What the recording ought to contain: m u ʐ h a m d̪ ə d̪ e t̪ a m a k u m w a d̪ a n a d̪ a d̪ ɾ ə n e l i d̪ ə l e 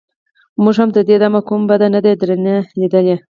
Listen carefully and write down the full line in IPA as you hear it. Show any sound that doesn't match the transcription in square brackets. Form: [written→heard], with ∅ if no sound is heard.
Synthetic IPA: m u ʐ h a m d̪ ə d̪ e [t̪→d̪] a m a k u m [w→b] a d̪ a n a d̪ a d̪ ɾ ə n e l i d̪ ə l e